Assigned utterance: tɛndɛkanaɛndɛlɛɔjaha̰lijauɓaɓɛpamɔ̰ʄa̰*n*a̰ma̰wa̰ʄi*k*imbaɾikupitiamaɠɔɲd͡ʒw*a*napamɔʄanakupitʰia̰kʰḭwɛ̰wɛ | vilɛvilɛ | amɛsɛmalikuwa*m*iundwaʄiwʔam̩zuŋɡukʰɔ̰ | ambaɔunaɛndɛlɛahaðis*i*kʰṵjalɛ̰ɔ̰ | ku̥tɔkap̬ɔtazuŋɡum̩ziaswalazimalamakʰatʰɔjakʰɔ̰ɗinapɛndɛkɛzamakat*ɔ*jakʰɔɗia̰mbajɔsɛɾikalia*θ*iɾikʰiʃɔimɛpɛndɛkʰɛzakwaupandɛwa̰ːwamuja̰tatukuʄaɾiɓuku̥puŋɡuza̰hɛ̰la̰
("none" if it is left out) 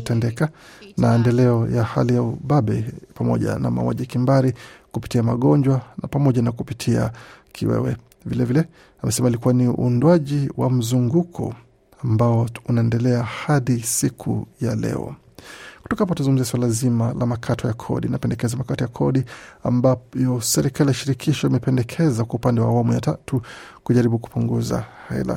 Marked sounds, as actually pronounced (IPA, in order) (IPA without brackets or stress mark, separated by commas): n, k, a, n, i, ɔ, ʃ